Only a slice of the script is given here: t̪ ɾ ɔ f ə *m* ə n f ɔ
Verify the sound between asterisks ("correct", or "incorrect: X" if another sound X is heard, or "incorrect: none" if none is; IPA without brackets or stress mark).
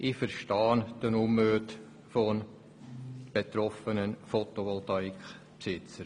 incorrect: n